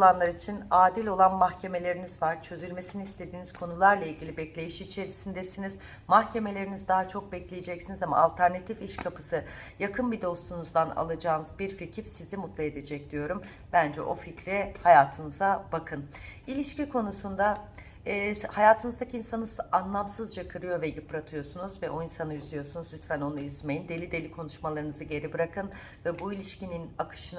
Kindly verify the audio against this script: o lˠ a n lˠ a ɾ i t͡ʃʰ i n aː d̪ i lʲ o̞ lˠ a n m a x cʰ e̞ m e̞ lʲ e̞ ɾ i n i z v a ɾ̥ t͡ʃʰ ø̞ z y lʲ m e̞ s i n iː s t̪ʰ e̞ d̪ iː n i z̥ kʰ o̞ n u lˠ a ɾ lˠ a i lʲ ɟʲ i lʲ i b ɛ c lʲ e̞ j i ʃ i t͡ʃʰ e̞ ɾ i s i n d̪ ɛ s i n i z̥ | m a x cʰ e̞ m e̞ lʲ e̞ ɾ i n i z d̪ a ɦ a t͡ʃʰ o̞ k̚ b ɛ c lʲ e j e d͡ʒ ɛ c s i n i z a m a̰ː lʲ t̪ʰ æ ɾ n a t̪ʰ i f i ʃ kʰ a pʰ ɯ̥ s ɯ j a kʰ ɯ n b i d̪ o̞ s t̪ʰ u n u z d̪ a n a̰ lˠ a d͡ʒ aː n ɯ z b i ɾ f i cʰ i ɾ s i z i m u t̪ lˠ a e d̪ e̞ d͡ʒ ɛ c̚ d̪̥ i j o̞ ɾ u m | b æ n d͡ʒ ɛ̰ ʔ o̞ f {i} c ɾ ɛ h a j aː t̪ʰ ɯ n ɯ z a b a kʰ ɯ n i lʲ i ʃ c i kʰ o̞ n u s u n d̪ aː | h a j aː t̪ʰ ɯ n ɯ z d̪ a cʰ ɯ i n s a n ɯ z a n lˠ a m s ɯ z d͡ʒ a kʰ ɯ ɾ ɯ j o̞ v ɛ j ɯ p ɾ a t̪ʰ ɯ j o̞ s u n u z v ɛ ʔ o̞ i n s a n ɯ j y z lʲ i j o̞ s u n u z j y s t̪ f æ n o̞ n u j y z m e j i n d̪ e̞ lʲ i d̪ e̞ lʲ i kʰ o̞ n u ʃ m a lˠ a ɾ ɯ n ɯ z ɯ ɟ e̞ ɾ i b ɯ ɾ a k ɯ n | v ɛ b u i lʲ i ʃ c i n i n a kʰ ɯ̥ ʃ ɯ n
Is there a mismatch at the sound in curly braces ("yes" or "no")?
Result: no